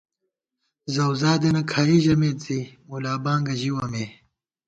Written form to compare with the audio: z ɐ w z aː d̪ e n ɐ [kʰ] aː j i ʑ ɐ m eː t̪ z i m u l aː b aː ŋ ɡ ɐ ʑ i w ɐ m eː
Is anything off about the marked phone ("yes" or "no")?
no